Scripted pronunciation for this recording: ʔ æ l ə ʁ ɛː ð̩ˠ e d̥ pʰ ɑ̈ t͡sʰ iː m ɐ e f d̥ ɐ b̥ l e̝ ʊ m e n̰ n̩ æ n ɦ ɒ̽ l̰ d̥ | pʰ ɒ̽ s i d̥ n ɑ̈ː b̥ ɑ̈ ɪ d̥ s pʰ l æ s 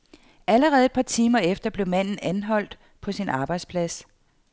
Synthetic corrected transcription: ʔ æ l ə ʁ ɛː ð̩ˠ e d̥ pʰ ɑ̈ t͡sʰ iː m ɐ e f d̥ ɐ b̥ l e̝ ʊ m æ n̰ n̩ æ n ɦ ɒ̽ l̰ d̥ | pʰ ɒ̽ s i n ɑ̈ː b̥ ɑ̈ ɪ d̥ s pʰ l æ s